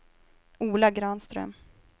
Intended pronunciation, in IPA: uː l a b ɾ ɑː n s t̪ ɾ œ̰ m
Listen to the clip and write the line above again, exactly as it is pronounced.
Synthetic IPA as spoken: uː l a ɡ ɾ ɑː n s t̪ ɾ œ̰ m